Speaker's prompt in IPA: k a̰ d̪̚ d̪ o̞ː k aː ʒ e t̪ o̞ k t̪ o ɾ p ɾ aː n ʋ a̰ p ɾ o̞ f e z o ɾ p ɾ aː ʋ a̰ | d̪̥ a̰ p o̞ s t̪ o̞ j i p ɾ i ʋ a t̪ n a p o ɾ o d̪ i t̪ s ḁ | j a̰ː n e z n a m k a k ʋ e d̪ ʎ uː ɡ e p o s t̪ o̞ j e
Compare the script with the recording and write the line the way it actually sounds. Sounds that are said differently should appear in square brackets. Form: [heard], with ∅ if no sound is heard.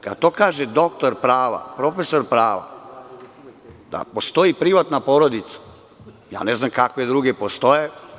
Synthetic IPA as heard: k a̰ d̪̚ [t̪] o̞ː k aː ʒ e [d̪] o̞ k t̪ o ɾ p ɾ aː [∅] ʋ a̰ p ɾ o̞ f e [s] o ɾ p ɾ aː ʋ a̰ | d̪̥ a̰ p o̞ s t̪ o̞ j i p ɾ i ʋ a t̪ n a p o ɾ o d̪ i t̪ s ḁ | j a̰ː n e z n a m k a k ʋ e d̪ [ɾ] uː ɡ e p o s t̪ o̞ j e